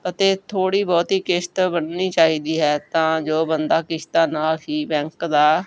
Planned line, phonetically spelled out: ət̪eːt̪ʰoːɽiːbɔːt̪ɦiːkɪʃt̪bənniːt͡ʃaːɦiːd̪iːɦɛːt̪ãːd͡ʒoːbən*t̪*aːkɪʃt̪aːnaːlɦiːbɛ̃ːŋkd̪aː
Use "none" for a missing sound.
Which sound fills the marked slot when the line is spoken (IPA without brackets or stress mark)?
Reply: d̪